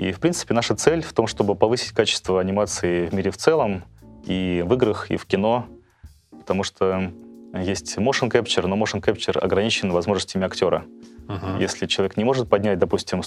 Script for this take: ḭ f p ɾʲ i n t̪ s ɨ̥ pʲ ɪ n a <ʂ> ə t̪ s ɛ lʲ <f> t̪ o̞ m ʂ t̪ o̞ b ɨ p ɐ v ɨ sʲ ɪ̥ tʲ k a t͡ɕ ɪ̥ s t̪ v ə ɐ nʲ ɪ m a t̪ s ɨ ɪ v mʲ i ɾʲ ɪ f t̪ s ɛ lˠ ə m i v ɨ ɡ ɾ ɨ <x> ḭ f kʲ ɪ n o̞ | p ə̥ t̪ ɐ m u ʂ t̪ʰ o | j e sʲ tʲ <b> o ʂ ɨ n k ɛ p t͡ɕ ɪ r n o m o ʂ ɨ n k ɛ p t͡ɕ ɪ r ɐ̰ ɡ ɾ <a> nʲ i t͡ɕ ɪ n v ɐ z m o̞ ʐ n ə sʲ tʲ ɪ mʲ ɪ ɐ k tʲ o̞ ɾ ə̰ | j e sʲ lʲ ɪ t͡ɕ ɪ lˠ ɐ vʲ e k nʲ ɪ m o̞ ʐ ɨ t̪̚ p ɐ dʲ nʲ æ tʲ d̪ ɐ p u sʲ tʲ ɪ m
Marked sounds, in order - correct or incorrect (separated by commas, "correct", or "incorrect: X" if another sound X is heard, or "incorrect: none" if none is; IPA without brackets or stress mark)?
correct, correct, correct, incorrect: m, incorrect: ɐ